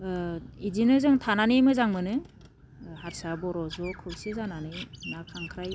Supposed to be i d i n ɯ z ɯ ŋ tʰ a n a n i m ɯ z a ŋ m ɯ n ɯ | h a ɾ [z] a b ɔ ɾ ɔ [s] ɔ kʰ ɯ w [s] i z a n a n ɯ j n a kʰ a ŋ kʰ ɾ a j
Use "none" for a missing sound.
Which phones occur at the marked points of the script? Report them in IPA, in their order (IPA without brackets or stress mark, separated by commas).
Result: s, z, s